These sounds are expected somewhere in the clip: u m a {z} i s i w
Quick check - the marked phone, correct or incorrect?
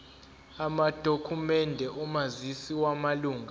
correct